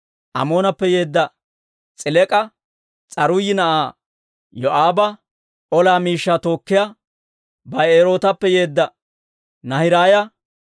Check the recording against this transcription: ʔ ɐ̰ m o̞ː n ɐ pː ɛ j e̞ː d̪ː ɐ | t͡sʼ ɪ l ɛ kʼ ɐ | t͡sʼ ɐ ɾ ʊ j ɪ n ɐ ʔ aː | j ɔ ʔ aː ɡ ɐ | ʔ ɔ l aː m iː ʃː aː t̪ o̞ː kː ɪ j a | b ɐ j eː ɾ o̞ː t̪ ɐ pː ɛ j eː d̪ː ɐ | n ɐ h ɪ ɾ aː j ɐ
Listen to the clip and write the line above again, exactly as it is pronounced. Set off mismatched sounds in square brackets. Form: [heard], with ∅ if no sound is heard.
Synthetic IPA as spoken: ʔ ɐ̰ m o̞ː n ɐ pː ɛ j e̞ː d̪ː ɐ | t͡sʼ ɪ l ɛ kʼ ɐ | t͡sʼ ɐ ɾ ʊ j ɪ n ɐ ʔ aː | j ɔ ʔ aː [b] ɐ | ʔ ɔ l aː m iː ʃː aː t̪ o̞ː kː ɪ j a | b ɐ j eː ɾ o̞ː t̪ ɐ pː ɛ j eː d̪ː ɐ | n ɐ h ɪ ɾ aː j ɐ